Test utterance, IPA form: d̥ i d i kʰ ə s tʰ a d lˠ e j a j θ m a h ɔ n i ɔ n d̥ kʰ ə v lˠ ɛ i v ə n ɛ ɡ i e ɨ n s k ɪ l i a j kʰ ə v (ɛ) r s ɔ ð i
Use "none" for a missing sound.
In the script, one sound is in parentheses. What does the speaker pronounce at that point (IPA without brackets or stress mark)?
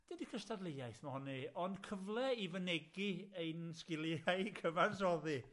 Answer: a